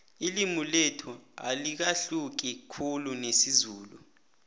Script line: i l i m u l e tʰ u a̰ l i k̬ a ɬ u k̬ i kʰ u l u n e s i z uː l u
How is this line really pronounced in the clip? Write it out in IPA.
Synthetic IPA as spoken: i l i m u l e tʰ u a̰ l i k̬ a ɬ u k̬ i kʰ u l u n e s i z uː l u